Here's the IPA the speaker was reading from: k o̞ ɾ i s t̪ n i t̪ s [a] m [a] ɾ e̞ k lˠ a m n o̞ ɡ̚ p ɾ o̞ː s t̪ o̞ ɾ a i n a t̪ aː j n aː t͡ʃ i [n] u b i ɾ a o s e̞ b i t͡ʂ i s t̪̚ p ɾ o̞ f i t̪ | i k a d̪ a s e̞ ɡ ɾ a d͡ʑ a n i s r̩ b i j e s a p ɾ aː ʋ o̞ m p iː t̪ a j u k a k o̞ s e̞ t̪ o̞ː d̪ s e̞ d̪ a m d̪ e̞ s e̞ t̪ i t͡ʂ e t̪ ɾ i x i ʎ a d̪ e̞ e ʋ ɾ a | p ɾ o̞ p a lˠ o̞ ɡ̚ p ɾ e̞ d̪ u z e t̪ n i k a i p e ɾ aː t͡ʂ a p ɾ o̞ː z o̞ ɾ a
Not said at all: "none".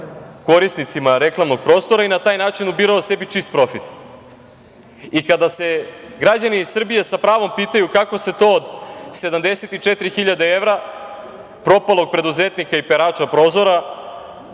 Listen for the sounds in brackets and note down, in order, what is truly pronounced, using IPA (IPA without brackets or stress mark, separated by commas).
i, a, n